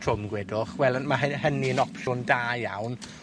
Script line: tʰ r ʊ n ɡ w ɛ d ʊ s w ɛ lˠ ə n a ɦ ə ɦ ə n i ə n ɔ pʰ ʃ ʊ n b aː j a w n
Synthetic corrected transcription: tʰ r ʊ m ɡ w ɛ d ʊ χ w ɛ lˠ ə m a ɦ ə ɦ ə n i ə n ɔ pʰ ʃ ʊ n d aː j a w n